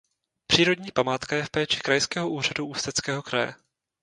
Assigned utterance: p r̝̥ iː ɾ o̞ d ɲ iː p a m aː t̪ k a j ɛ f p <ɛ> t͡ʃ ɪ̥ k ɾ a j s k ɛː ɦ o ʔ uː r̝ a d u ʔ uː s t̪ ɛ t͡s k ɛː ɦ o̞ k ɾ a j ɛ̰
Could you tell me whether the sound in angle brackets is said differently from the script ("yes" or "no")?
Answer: yes